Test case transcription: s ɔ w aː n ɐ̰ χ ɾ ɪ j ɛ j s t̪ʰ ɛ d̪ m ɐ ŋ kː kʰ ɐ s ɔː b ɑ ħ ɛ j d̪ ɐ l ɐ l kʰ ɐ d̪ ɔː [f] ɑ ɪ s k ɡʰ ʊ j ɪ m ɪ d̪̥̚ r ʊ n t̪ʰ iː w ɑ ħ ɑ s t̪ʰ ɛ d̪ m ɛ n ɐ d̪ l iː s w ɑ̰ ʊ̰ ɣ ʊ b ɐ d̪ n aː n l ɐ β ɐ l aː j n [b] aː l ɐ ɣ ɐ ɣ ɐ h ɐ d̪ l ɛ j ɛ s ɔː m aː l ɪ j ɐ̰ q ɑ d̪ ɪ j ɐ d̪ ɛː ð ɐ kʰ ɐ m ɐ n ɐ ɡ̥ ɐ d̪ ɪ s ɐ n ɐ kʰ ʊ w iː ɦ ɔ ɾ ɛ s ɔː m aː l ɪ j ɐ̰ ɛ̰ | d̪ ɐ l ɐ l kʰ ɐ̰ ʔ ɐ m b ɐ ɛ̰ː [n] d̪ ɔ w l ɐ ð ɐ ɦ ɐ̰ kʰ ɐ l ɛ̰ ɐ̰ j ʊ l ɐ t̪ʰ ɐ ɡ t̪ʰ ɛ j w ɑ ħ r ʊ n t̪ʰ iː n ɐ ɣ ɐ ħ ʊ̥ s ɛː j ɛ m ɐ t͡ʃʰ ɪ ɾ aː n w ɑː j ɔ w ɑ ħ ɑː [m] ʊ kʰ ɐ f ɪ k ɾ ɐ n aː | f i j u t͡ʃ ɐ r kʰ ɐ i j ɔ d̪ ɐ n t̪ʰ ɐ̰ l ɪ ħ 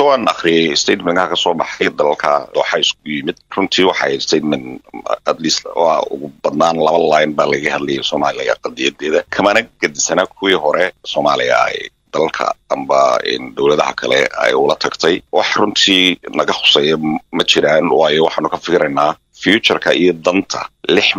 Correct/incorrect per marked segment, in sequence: incorrect, correct, correct, incorrect

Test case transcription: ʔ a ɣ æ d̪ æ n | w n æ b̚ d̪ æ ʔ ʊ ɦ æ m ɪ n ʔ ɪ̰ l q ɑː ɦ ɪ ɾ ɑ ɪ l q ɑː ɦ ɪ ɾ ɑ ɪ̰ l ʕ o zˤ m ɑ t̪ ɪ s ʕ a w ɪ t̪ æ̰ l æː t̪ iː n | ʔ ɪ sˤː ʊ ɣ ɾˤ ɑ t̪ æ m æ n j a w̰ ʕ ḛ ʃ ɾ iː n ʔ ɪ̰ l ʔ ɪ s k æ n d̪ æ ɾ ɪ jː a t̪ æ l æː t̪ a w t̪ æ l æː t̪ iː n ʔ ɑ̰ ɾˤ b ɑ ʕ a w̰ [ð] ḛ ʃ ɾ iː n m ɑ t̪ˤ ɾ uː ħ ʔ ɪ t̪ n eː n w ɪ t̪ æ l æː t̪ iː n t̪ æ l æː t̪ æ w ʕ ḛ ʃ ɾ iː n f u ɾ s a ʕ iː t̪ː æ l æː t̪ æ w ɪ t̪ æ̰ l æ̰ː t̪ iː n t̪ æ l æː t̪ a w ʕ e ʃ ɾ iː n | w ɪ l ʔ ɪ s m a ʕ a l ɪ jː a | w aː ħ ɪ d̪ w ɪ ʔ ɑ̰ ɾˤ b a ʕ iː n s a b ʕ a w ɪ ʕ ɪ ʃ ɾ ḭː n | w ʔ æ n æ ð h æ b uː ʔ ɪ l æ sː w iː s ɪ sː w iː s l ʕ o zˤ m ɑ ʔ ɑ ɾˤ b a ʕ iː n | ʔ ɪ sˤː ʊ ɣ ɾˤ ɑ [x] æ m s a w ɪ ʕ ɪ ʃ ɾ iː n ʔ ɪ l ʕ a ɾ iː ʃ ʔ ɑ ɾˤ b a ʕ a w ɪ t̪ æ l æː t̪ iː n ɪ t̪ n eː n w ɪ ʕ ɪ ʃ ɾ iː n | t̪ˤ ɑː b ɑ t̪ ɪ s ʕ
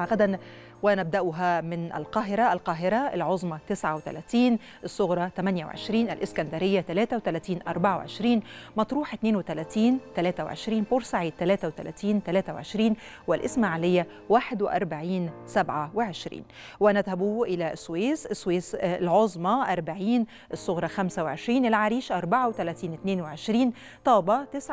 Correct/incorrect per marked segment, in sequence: incorrect, correct

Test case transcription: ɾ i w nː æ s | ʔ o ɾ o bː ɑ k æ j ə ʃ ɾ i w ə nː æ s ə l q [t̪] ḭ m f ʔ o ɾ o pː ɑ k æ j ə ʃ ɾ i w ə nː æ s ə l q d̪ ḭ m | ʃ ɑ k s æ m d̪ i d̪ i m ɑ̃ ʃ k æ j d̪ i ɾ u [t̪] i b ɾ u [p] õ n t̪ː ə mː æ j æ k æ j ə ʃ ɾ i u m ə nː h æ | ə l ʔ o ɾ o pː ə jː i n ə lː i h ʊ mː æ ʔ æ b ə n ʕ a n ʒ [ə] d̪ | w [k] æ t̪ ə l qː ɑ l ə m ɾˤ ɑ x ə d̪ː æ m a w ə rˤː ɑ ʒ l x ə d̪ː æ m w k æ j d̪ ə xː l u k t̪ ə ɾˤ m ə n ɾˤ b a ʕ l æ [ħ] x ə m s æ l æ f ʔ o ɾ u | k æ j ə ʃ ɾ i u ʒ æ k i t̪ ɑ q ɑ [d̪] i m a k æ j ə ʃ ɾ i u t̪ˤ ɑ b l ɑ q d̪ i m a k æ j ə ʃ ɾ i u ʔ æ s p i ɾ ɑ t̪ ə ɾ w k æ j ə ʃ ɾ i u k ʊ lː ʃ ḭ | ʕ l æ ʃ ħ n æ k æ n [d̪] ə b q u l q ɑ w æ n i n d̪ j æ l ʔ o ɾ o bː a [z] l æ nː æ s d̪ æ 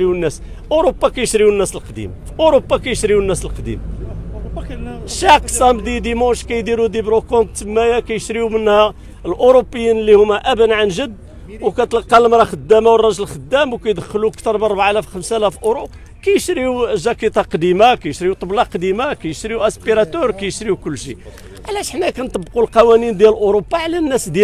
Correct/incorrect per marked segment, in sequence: incorrect, incorrect, incorrect, correct, correct, incorrect, correct, incorrect, incorrect

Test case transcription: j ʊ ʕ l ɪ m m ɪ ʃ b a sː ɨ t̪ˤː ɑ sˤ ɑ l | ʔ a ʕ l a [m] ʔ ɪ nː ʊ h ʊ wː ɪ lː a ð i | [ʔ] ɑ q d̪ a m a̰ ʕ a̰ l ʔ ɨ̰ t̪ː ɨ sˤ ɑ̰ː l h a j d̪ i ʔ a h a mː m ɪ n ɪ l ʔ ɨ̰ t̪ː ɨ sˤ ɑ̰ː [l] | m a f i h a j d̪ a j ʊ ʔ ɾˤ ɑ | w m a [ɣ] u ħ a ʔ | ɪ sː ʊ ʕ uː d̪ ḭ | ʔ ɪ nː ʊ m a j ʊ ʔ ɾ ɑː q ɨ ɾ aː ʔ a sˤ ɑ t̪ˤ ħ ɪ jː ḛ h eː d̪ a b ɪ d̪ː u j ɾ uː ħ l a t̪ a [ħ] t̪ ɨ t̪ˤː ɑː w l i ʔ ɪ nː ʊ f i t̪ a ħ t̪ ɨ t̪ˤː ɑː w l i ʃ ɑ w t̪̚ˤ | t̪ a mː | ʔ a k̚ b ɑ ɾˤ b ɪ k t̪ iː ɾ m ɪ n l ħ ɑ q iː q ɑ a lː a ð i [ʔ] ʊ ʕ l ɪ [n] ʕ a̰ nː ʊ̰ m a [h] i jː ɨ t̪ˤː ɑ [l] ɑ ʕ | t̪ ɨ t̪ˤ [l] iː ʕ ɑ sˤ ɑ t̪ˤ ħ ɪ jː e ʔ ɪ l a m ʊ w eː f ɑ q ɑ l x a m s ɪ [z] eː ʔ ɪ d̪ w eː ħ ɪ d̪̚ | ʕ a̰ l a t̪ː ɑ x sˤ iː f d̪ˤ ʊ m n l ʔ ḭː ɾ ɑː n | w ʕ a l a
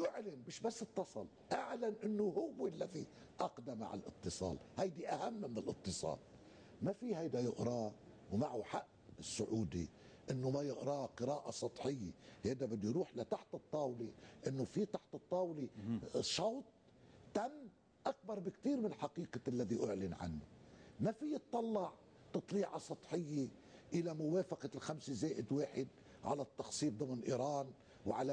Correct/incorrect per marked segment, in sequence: incorrect, correct, correct, incorrect, correct, correct, correct, incorrect, incorrect, correct, correct

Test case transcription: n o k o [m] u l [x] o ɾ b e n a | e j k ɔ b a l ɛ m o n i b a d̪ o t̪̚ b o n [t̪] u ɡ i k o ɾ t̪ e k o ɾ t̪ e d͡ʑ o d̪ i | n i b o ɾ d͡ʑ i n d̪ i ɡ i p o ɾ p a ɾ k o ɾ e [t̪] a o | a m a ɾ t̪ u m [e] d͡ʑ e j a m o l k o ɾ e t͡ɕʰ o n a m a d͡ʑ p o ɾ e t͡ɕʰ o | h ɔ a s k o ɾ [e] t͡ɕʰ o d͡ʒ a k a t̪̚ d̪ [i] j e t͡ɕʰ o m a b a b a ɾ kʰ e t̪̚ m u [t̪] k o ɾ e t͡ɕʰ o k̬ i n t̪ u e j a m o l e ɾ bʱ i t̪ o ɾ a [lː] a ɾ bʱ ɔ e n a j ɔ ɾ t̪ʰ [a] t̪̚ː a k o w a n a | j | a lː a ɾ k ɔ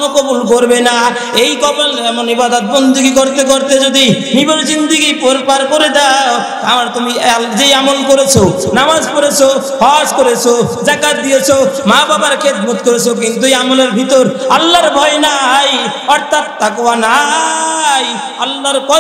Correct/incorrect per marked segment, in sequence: incorrect, incorrect, incorrect, incorrect, incorrect, correct, correct, correct, correct, correct

